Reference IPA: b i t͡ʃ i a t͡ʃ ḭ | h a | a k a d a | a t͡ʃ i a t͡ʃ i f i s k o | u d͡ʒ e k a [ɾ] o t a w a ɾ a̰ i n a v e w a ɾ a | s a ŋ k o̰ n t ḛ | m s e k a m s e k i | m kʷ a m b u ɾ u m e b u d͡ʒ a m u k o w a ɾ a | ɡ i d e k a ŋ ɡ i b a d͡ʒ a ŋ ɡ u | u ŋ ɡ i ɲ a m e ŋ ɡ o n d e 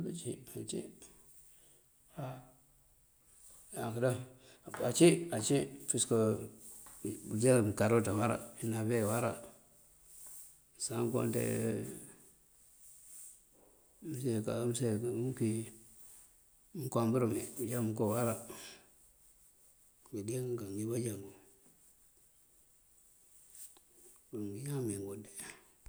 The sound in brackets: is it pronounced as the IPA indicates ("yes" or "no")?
yes